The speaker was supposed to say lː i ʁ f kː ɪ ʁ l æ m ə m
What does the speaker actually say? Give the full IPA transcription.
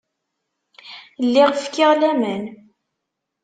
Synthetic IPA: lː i ʁ f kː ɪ ʁ l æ m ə n